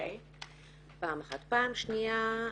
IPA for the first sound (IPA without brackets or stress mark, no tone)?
p